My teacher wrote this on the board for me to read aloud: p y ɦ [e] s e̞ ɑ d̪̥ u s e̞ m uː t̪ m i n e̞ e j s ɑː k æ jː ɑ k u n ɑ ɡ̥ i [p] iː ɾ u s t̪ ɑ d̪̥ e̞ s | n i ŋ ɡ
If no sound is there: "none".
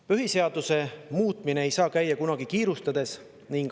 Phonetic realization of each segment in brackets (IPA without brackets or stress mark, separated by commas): i, k